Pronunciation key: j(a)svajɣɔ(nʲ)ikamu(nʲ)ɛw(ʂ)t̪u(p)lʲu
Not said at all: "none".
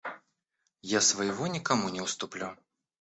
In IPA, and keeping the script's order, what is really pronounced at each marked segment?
a, nʲ, nʲ, s, p

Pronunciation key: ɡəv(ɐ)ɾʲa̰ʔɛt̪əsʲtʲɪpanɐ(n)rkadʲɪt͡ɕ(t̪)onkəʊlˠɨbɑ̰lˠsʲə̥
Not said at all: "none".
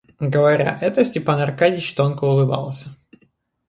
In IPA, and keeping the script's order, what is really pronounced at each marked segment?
ɐ, none, t̪

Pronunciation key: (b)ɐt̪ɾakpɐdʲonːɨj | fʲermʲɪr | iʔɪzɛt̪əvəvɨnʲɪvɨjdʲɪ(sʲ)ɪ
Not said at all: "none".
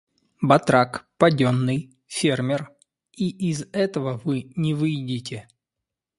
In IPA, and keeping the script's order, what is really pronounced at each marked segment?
b, tʲ

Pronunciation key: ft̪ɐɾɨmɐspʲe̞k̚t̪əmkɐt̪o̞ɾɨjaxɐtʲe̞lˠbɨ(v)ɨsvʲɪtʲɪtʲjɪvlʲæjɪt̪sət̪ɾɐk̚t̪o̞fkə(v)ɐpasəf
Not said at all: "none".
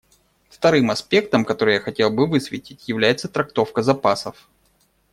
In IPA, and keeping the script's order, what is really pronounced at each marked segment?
v, z

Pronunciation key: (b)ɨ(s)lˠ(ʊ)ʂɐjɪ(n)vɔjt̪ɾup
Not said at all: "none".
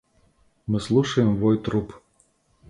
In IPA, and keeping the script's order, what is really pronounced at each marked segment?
m, s, u, m

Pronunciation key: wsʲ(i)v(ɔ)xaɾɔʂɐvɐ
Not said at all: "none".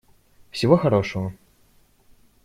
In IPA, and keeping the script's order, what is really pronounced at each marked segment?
i, ɔ

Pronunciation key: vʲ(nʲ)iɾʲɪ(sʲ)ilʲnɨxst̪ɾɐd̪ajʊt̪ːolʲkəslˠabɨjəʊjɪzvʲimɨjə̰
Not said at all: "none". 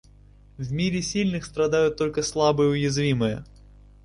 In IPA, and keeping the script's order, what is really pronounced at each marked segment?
mʲ, sʲ

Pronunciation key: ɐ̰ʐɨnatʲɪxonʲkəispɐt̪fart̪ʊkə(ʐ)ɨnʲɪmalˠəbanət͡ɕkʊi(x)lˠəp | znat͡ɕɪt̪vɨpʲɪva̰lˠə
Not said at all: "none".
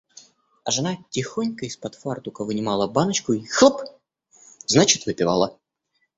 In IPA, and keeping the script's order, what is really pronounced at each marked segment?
v, x

